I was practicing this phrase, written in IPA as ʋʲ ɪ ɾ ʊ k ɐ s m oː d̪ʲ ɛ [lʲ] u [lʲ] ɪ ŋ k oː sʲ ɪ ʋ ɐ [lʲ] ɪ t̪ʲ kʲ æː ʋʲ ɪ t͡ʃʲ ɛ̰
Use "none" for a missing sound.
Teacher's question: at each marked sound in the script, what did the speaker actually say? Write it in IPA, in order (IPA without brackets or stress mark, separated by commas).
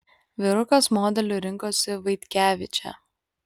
lʲ, ɾʲ, none